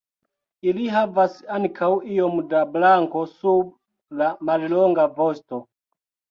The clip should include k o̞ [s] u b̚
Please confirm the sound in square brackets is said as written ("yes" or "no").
yes